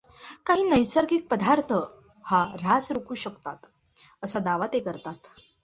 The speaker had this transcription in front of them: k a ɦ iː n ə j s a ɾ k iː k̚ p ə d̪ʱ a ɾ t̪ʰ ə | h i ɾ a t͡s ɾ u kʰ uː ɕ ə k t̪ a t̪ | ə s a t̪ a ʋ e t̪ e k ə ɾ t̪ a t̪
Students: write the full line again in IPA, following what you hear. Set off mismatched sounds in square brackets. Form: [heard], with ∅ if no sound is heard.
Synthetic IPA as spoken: k a ɦ iː n ə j s a ɾ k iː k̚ p ə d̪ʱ a ɾ t̪ʰ ə | h [a] ɾ a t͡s ɾ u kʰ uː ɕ ə k t̪ a t̪ | ə s a [d̪] a ʋ [a] t̪ e k ə ɾ t̪ a t̪